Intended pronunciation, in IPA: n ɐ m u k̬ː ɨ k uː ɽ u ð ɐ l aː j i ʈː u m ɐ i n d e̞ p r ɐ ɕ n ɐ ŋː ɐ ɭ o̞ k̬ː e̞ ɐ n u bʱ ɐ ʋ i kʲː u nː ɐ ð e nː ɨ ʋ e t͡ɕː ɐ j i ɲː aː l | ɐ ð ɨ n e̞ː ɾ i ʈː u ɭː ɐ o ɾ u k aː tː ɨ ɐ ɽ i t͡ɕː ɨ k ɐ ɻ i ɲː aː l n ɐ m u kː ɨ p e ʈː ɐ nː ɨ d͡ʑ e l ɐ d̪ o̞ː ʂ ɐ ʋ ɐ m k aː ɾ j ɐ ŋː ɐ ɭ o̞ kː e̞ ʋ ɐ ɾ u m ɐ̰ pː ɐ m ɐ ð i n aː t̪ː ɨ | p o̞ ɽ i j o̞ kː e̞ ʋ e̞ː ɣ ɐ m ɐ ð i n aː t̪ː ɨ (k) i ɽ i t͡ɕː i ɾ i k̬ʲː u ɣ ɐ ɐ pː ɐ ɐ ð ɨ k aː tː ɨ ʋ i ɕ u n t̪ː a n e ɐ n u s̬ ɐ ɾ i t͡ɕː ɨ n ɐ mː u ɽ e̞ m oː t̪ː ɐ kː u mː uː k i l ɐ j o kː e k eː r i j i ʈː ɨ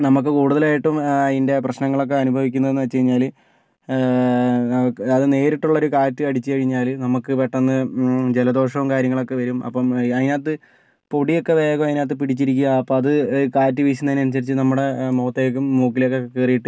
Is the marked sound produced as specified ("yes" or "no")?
no